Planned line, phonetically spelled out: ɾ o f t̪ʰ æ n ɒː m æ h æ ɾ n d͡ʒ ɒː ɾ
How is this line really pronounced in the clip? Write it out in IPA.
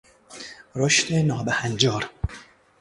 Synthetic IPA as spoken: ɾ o ʃ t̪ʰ e n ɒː b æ h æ n d͡ʒ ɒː ɾ

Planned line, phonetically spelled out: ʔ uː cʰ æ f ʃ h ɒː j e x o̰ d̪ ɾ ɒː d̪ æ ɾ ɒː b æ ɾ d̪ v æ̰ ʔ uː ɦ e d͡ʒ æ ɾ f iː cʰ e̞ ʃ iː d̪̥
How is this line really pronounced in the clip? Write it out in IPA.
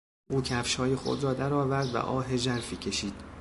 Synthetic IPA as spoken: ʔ uː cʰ æ f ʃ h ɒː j e x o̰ d̪ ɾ ɒː d̪ æ ɾ ɒː v æ ɾ d̪ v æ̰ ʔ ɒː ɦ e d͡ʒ æ ɾ f iː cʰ e̞ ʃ iː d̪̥

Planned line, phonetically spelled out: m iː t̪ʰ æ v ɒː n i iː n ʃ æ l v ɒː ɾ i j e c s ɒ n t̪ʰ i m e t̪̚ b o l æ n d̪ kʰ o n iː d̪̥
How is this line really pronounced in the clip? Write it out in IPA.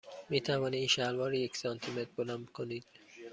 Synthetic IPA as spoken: m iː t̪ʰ æ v ɒː n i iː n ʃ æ l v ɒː ɾ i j e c s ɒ n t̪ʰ i m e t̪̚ b o l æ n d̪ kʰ o n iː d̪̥

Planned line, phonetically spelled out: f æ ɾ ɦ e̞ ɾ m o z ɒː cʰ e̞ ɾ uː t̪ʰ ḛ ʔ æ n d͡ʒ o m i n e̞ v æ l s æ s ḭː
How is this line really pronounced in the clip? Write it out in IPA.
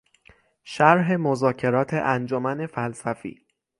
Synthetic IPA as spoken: ʃ æ ɾ ɦ e̞ m o z ɒː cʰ e̞ ɾ ɒː t̪ʰ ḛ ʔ æ n d͡ʒ o m æ n e̞ f æ l s æ f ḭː

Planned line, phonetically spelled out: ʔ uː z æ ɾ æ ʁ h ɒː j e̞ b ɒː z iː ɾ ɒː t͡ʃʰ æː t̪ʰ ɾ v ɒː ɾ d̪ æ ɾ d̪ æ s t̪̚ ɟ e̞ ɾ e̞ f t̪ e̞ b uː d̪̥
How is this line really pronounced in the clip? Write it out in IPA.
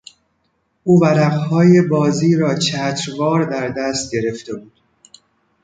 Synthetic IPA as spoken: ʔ uː v æ ɾ æ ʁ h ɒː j e̞ b ɒː z iː ɾ ɒː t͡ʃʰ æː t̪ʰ ɾ v ɒː ɾ d̪ æ ɾ d̪ æ s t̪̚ ɟ e̞ ɾ e̞ f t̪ e̞ b uː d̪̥

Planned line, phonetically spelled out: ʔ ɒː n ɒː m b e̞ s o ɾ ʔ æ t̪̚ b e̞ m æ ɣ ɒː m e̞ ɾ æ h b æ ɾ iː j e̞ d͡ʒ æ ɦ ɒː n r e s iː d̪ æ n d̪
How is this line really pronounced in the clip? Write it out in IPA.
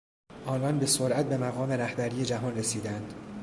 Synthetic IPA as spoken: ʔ ɒː n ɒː n b e̞ s o ɾ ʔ æ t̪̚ b e̞ m æ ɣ ɒː m e̞ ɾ æ h b æ ɾ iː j e̞ d͡ʒ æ ɦ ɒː n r e s iː d̪ æ n d̪

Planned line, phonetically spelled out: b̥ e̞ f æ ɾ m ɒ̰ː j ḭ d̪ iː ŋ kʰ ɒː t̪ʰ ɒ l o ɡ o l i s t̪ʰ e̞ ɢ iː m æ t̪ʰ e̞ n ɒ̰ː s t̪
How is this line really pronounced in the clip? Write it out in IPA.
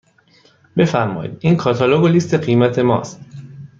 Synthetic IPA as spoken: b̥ e̞ f æ ɾ m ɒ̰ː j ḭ d̪ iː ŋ kʰ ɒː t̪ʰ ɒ l o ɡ o l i s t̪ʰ e̞ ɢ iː m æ t̪ʰ e̞ m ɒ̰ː s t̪

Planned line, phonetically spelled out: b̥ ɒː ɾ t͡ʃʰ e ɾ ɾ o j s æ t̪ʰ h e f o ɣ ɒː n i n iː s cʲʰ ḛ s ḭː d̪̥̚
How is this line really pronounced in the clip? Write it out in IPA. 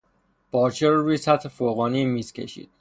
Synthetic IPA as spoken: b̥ ɒː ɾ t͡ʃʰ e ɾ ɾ u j s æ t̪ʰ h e f o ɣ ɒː n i m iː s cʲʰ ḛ ʃ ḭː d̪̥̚

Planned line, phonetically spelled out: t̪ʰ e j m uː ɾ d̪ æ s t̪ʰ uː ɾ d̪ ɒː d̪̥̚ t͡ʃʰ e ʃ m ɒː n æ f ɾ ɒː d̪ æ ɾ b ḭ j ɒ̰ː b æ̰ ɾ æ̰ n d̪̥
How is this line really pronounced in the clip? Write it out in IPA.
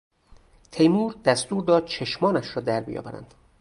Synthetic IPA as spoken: t̪ʰ e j m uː ɾ d̪ æ s t̪ uː ɾ d̪ ɒː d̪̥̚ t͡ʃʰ e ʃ m ɒː n æ ʃ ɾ ɒː d̪ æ ɾ b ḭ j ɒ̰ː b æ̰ ɾ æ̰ n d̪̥

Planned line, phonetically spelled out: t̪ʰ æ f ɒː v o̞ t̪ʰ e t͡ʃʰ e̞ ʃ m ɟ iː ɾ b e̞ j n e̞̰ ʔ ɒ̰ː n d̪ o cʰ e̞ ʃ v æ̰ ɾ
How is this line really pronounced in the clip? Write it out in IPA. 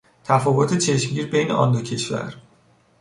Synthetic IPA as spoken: t̪ʰ æ f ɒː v o̞ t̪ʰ e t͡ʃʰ e̞ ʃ m ɟ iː ɾ b e̞ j n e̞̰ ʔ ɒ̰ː n d̪ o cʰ e̞ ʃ v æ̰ ɾ

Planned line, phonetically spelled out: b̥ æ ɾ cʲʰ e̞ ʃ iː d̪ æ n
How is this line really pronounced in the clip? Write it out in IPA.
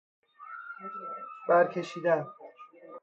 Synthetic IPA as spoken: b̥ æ ɾ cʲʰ e̞ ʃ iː d̪ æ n

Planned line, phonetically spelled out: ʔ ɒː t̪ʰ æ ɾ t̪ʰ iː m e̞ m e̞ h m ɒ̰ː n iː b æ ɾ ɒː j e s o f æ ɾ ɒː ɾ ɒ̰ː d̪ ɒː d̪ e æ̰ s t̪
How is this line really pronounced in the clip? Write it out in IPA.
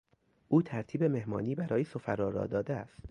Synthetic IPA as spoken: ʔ uː t̪ʰ æ ɾ t̪ʰ iː b e̞ m e̞ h m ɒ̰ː n iː b æ ɾ ɒː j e s o f æ ɾ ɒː ɾ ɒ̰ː d̪ ɒː d̪ e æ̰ s t̪

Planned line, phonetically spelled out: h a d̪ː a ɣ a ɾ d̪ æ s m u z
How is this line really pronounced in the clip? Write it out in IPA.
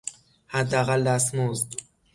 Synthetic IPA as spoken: h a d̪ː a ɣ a l d̪ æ s m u z

